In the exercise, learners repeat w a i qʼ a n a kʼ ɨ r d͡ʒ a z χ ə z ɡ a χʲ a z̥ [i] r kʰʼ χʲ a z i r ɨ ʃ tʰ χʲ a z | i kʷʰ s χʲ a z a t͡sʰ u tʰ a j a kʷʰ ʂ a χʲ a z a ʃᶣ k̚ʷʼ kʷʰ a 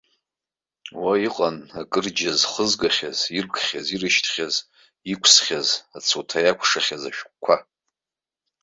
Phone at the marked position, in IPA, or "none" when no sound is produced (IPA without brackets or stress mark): i